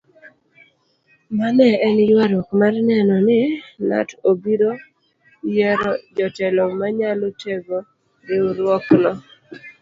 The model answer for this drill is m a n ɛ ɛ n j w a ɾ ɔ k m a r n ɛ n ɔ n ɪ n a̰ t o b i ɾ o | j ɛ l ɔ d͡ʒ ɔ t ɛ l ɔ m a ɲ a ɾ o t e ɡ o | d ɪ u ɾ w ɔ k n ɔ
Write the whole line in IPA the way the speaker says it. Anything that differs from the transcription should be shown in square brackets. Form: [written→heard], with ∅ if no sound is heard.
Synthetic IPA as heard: m a n ɛ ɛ n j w a ɾ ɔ k m a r n ɛ n ɔ n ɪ n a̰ t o b i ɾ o | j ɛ [l→ɾ] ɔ d͡ʒ ɔ t ɛ l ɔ m a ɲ a [ɾ→l] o t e ɡ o | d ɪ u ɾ w ɔ k n ɔ